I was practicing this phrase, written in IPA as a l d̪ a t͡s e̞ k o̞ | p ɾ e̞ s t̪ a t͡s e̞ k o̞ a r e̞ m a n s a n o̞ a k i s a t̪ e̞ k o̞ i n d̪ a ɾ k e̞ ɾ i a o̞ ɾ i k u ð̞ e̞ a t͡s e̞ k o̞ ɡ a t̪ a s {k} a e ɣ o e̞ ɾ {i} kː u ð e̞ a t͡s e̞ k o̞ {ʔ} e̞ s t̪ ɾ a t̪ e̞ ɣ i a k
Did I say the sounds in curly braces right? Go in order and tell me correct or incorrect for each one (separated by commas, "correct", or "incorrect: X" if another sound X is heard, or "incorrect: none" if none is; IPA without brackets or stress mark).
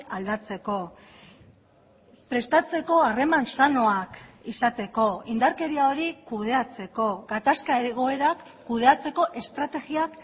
correct, incorrect: a, correct